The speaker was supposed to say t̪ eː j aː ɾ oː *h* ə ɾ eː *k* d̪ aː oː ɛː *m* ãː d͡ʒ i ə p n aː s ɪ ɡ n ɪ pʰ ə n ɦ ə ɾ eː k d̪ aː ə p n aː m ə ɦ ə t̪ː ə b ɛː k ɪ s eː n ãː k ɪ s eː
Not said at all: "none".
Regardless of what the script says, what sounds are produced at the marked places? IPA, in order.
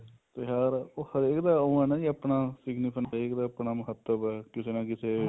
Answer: h, k, n

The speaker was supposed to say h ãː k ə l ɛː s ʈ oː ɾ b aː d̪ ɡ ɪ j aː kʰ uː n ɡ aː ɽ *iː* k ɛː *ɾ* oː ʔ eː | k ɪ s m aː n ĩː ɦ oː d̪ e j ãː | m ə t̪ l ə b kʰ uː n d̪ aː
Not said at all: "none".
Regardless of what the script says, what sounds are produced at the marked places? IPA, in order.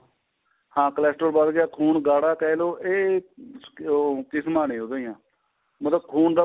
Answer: aː, l

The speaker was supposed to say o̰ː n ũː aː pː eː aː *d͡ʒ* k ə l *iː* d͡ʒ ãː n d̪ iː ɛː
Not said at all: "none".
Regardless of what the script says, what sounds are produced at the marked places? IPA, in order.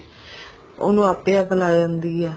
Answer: none, aː

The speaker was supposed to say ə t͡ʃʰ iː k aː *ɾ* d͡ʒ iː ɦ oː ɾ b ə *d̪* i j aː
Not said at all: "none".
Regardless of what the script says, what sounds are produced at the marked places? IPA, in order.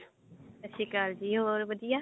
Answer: l, d̪

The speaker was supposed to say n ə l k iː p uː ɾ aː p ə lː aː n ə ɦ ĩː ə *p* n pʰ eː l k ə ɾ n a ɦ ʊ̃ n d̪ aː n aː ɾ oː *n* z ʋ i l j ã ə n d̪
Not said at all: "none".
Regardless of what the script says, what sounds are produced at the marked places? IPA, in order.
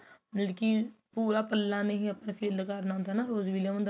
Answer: p, none

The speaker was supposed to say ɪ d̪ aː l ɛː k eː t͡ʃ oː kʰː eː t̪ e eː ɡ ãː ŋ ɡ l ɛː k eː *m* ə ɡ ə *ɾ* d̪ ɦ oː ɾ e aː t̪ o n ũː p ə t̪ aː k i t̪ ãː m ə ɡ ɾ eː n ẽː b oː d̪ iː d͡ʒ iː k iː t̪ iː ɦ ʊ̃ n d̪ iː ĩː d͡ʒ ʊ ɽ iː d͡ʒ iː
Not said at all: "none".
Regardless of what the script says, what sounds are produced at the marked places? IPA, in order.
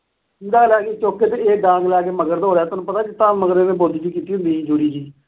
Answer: m, ɾ

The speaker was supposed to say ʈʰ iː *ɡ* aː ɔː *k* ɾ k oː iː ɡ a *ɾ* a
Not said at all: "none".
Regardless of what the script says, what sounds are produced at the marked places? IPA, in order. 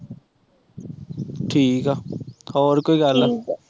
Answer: k, none, l

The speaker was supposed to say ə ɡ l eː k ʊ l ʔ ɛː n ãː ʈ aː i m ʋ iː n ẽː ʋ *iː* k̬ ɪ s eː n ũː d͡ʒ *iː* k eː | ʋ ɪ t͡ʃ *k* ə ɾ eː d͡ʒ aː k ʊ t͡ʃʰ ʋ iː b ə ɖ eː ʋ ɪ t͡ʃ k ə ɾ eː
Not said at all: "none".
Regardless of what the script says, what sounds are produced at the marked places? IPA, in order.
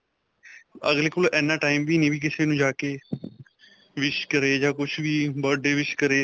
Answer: iː, aː, k

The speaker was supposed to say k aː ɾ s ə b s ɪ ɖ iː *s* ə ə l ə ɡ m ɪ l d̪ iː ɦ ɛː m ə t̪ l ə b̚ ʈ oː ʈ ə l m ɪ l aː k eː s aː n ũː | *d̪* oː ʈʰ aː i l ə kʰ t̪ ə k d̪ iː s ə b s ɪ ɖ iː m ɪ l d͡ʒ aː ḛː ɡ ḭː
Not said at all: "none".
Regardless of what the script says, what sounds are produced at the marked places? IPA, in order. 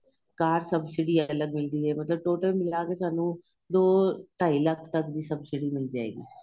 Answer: none, d̪

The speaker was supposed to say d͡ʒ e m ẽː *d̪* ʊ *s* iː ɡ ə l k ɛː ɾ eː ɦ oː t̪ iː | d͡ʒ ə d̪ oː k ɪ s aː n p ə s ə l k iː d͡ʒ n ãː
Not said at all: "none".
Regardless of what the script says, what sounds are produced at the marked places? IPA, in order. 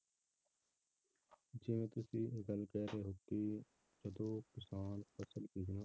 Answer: t̪, s

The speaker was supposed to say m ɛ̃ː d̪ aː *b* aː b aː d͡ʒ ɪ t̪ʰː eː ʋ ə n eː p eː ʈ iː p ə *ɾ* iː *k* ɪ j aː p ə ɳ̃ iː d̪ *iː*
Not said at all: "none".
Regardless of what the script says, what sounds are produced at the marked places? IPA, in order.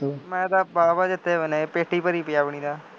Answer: b, ɾ, p, aː

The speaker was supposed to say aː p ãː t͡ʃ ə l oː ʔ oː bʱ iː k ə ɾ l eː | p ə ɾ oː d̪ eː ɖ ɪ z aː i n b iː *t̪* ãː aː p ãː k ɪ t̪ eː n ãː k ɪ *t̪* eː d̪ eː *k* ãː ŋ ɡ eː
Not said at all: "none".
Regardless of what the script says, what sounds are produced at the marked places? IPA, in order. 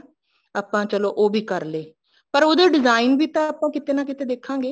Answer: t̪, t̪, kʰ

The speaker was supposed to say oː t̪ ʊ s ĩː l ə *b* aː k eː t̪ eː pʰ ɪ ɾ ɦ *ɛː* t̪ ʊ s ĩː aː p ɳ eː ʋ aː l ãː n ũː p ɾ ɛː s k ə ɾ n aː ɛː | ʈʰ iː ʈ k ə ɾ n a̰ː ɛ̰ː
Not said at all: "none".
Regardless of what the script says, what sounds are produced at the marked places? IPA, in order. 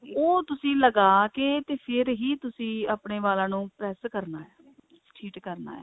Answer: ɡ, iː

